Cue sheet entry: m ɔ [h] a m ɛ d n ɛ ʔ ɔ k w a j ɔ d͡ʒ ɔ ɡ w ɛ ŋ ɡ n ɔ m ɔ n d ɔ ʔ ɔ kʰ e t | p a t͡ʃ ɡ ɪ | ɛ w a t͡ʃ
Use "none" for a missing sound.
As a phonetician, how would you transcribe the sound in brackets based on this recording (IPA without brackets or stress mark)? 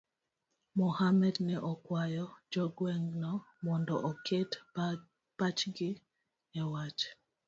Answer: h